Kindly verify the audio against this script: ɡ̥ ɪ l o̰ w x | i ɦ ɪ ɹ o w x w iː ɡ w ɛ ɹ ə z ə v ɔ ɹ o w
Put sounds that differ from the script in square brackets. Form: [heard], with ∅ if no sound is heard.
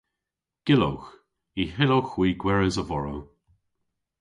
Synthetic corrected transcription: ɡ̥ ɪ l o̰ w x | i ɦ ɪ [l] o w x w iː ɡ w ɛ ɹ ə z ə v ɔ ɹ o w